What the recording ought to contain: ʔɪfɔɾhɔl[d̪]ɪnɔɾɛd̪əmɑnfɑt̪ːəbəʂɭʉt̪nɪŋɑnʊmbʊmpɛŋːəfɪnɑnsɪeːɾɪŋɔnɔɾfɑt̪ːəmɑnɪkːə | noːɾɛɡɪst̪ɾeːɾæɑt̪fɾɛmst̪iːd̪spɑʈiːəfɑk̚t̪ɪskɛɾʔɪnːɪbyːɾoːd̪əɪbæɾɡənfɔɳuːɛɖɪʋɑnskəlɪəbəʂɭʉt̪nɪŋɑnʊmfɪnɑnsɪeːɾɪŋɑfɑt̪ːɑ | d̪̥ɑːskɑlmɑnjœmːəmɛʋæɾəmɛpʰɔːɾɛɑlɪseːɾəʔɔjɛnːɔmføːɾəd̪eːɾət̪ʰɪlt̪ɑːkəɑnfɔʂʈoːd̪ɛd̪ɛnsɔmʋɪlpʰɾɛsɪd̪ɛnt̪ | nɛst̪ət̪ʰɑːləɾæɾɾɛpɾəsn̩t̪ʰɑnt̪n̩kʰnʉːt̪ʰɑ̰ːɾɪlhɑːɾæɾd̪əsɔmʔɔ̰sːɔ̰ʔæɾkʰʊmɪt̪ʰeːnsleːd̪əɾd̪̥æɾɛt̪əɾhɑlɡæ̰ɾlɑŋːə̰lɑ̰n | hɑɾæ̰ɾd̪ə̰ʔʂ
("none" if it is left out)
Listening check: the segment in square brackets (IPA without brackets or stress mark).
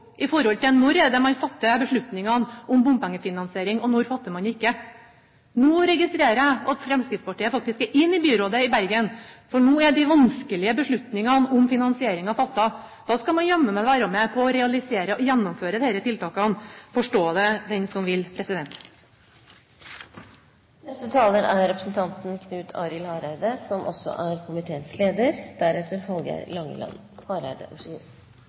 t̪